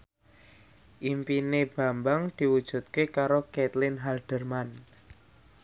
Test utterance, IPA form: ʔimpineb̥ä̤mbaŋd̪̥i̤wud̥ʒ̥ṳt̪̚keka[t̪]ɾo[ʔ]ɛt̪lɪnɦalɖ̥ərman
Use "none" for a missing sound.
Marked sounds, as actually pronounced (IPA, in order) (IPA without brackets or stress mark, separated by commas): none, k